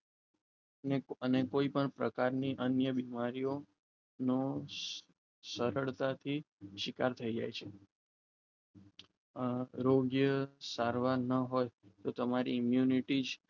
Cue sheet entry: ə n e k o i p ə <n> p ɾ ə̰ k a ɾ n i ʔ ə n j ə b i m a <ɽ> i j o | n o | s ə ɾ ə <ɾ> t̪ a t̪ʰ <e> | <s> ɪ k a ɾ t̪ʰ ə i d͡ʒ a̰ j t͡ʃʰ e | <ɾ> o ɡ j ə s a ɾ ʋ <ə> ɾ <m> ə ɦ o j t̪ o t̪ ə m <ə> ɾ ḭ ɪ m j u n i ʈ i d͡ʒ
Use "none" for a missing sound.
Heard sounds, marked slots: ɳ, ɾ, ɭ, i, ʃ, ɾ, a, n, a

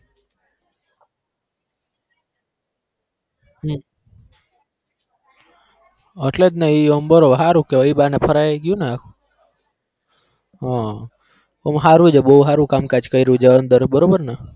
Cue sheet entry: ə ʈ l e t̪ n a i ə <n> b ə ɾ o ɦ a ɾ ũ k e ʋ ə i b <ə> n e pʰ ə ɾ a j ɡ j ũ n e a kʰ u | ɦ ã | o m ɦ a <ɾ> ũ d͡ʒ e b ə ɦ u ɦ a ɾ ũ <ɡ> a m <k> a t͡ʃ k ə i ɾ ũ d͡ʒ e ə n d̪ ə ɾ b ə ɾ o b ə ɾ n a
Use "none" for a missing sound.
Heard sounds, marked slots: m, a, ɾ, k, k

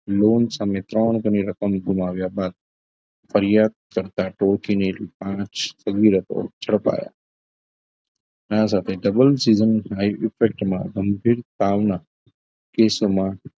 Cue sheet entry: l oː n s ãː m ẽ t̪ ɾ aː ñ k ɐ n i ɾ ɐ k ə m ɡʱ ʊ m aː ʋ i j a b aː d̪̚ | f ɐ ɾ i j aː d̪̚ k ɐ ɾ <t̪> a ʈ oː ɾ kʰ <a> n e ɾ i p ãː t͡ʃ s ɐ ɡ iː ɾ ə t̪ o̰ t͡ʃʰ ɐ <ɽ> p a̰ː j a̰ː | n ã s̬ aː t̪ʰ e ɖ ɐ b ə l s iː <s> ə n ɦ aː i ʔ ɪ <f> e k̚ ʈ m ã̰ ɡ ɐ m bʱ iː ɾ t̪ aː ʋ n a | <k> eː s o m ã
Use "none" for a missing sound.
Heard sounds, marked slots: t̪, i, ɽ, z, f, k

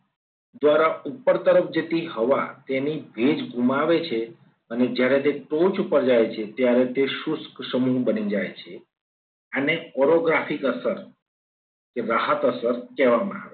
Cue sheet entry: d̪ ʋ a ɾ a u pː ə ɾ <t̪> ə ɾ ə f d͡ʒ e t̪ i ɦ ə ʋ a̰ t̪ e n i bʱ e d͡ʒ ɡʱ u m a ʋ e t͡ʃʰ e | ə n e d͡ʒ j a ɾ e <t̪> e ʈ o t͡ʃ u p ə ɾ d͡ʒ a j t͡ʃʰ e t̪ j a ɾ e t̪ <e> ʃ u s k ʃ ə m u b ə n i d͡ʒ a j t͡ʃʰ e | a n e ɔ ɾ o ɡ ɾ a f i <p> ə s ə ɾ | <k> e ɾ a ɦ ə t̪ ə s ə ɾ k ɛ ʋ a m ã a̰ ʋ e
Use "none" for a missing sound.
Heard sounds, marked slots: t̪, t̪, e, k, k

